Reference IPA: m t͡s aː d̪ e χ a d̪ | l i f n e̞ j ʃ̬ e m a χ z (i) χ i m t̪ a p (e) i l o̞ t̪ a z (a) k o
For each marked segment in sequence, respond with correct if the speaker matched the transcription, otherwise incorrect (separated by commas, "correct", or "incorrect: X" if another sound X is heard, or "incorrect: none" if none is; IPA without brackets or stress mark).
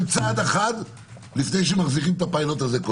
correct, incorrect: a, incorrect: e